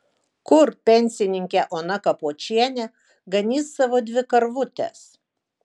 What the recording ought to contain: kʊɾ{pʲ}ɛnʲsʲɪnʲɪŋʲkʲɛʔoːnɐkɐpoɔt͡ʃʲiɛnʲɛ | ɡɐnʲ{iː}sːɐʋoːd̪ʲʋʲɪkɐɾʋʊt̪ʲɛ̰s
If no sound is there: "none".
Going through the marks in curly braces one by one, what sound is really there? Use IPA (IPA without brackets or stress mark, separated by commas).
pʲ, iː